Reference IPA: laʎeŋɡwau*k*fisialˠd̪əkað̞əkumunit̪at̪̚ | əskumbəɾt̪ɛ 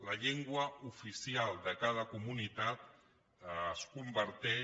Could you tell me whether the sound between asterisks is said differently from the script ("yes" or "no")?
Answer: yes